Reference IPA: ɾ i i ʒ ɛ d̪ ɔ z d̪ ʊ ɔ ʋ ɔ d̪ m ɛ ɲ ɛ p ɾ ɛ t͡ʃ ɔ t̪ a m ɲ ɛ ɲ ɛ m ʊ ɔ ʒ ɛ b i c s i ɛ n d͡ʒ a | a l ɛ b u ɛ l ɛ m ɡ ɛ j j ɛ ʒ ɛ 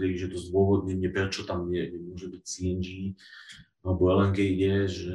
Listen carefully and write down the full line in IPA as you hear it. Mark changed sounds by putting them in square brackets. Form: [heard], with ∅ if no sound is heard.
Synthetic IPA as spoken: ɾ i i ʒ ɛ [t̪] ɔ z d̪ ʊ ɔ ʋ ɔ d̪ [ɲ] ɛ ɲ ɛ p ɾ ɛ t͡ʃ ɔ t̪ a m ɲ ɛ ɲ ɛ m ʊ ɔ ʒ ɛ b i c s i ɛ n d͡ʒ [i] | a l ɛ b [ɔ] ɛ l ɛ [ŋ] ɡ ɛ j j ɛ ʒ ɛ